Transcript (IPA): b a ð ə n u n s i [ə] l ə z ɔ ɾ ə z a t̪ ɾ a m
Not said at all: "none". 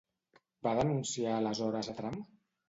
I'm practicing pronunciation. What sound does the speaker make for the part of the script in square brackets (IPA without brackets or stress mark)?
a